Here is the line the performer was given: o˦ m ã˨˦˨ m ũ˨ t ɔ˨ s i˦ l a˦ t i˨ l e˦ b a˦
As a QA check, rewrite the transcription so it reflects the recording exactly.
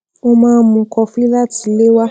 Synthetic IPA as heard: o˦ m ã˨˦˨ m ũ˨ k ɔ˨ f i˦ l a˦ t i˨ l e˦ w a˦